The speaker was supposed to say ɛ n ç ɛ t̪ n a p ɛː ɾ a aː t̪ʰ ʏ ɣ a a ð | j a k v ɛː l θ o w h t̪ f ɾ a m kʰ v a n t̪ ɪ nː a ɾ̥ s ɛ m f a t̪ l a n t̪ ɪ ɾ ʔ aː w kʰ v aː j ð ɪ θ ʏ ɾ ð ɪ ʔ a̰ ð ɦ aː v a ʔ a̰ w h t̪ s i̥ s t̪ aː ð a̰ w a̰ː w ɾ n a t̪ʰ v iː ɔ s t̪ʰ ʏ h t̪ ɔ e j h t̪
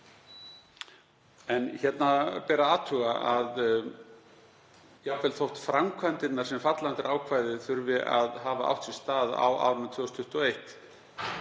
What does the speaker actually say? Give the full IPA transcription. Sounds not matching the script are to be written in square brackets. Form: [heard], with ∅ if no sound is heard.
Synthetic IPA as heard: ɛ n ç ɛ t̪ n a p ɛː ɾ a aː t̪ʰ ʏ ɣ a a ð | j a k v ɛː l θ o w h t̪ f ɾ a m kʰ v a n t̪ ɪ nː a ɾ̥ s ɛ m f a t̪ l a n t̪ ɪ ɾ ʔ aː w kʰ v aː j ð ɪ θ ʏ ɾ [v] ɪ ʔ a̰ ð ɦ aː v a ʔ a̰ w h t̪ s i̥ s t̪ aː ð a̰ w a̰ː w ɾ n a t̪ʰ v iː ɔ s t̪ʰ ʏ h t̪ ɔ e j h t̪